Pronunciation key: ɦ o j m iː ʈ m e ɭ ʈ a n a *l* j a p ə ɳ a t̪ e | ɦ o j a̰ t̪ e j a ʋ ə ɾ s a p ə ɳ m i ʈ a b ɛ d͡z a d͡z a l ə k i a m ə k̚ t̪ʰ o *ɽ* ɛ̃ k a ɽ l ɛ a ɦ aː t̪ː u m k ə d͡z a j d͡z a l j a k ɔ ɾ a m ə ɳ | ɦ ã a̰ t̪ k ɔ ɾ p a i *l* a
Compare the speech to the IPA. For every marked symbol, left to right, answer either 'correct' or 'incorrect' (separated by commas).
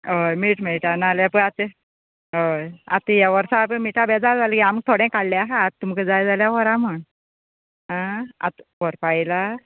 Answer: correct, correct, correct